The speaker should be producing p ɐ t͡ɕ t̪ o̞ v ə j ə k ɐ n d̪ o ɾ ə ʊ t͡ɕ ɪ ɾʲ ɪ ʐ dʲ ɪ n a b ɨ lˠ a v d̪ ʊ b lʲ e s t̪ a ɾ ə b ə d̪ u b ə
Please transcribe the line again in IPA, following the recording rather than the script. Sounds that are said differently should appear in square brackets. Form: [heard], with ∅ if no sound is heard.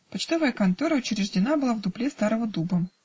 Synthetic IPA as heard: p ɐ t͡ɕ t̪ o̞ v ə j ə k ɐ n [t̪] o ɾ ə ʊ t͡ɕ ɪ ɾʲ ɪ ʐ dʲ ɪ n a b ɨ lˠ a v d̪ ʊ [p] lʲ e s t̪ a ɾ ə [v] ə d̪ u b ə

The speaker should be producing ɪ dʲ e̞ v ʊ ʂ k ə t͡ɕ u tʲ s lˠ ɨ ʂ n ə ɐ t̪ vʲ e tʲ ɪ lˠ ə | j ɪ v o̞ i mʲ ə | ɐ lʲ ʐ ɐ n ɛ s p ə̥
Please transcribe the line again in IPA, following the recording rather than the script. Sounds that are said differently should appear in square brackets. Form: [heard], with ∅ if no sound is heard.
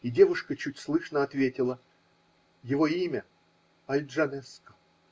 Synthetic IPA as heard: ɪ dʲ e̞ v ʊ ʂ k ə t͡ɕ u tʲ s lˠ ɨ ʂ n ə ɐ t̪ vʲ e tʲ ɪ lˠ ə | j ɪ v o̞ i mʲ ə | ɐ lʲ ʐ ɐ n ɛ s [k] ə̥

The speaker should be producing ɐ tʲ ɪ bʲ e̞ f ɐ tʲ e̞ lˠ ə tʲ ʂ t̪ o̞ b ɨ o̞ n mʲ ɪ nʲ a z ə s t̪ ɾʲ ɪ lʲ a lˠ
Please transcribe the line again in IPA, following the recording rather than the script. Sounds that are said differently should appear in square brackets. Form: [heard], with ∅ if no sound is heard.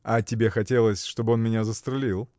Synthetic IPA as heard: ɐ tʲ ɪ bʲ e̞ [x] ɐ tʲ e̞ lˠ ə [sʲ] ʂ t̪ o̞ b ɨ o̞ n mʲ ɪ nʲ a z ə s t̪ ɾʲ ɪ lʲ [i] lˠ

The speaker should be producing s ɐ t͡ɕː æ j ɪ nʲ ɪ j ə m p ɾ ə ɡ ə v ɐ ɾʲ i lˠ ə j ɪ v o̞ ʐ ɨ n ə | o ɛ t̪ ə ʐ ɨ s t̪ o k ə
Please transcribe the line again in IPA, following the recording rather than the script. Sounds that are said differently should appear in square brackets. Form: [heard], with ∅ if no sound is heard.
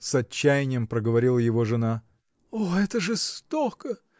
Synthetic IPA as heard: s ɐ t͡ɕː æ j ɪ nʲ ɪ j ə m p ɾ ə ɡ ə v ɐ ɾʲ i lˠ ə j ɪ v o̞ ʐ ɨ n [a] | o ɛ t̪ ə ʐ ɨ s t̪ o k ə

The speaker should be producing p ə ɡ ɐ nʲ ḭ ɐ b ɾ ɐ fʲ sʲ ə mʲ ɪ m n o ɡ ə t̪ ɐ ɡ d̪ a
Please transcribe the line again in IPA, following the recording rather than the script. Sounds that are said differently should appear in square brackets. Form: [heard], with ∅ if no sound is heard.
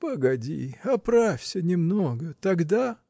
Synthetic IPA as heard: p ə ɡ ɐ [dʲ] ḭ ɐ [p] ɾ [a] fʲ sʲ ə [nʲ] ɪ m n o ɡ ə t̪ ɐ ɡ d̪ a

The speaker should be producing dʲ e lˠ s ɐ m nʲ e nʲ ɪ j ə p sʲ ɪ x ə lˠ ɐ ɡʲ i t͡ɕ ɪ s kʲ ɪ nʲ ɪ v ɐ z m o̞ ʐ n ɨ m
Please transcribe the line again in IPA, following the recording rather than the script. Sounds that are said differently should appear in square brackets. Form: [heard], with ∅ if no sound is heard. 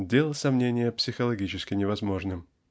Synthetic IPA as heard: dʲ e lˠ s ɐ m nʲ e nʲ ɪ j ə p sʲ ɪ x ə lˠ ɐ ɡʲ i t͡ɕ ɪ s kʲ ɪ nʲ ɪ v ɐ z m o̞ ʐ n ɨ m

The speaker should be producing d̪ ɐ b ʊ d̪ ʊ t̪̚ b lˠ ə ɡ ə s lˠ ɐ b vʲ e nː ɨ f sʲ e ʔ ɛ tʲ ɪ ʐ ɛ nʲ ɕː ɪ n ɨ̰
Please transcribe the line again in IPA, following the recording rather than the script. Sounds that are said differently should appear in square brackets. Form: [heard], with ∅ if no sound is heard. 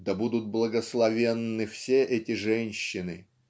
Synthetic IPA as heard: d̪ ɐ b [u] d̪ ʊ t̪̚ b lˠ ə ɡ ə s lˠ ɐ [∅] vʲ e nː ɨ f sʲ e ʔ ɛ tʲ ɪ ʐ ɛ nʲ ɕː ɪ n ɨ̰

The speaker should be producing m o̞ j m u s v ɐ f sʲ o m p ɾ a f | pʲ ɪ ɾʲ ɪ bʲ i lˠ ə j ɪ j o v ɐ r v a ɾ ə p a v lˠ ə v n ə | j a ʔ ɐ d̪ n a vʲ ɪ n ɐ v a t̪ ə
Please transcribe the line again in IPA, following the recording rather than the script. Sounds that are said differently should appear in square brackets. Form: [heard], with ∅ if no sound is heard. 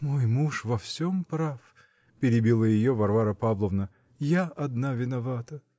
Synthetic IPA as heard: m o̞ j m u [ʂ] v ɐ f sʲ o m p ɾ a f | pʲ ɪ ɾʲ ɪ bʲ i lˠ ə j ɪ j o v ɐ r v a ɾ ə p a v lˠ ə v n ə | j a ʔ ɐ d̪ n a vʲ ɪ n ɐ v a t̪ ə

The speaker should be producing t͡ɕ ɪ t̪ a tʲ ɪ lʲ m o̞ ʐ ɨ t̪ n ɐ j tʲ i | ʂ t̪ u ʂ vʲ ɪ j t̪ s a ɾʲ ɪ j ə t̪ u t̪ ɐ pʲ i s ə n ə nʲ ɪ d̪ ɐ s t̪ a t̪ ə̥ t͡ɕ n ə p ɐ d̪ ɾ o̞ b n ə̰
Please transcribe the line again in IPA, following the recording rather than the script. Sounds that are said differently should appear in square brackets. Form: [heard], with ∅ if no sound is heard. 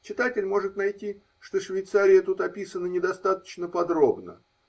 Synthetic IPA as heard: t͡ɕ ɪ t̪ a tʲ ɪ lʲ m o̞ ʐ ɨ t̪ n ɐ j tʲ i | ʂ t̪ [o] ʂ vʲ ɪ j t̪ s a ɾʲ ɪ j ə t̪ u t̪ ɐ pʲ i s ə n ə nʲ ɪ d̪ ɐ s t̪ a t̪ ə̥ t͡ɕ n ə p ɐ d̪ ɾ o̞ b n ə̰

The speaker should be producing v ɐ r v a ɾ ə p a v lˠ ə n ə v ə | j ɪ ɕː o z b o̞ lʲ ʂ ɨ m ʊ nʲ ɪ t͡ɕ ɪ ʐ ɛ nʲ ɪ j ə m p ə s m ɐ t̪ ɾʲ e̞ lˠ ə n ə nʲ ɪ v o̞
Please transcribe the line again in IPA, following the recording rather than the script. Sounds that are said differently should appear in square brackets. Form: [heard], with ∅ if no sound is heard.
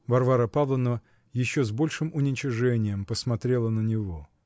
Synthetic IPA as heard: v ɐ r v a ɾ ə p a v lˠ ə n ə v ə | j ɪ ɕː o z b o̞ lʲ ʂ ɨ m ʊ nʲ ɪ t͡ɕ ɪ ʐ ɛ nʲ ɪ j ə m p ə s m ɐ t̪ ɾʲ e̞ lˠ ə n ə nʲ ɪ v o̞

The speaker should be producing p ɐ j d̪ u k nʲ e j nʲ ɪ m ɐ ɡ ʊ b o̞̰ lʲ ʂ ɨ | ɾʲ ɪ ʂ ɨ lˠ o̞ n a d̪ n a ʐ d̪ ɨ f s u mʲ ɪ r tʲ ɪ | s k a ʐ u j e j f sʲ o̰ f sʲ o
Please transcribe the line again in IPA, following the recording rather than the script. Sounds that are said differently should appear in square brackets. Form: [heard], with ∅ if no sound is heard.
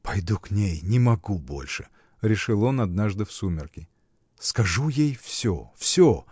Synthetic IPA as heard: p ɐ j d̪ u k nʲ e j nʲ ɪ m ɐ ɡ [u] b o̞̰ lʲ ʂ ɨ | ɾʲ ɪ ʂ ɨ lˠ o̞ n [ɐ] d̪ n a ʐ d̪ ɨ f s u mʲ ɪ r [kʲ] ɪ | s k [ɐ] ʐ u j e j f sʲ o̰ f sʲ o

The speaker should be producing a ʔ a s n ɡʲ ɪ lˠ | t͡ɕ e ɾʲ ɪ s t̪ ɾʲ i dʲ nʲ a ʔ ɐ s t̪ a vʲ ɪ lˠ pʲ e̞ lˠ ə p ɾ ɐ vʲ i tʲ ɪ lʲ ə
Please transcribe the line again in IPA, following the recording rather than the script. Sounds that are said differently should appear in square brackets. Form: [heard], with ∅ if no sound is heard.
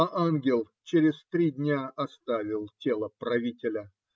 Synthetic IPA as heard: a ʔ a [∅] n ɡʲ ɪ lˠ | t͡ɕ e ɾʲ ɪ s t̪ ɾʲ i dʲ nʲ a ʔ ɐ s t̪ a vʲ ɪ lˠ [tʲ] e̞ lˠ ə p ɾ ɐ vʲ i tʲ ɪ lʲ ə

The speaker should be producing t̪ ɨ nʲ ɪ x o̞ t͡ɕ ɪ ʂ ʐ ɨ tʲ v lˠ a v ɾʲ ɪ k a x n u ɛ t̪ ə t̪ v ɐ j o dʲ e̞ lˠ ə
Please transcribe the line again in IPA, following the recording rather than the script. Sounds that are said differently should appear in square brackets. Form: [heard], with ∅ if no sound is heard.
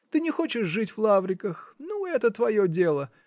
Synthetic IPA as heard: t̪ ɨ nʲ ɪ x o̞ t͡ɕ ɪ ʂ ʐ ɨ tʲ v lˠ a v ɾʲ ɪ k [ə] x n u ɛ t̪ ə t̪ v ɐ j o dʲ e̞ lˠ ə

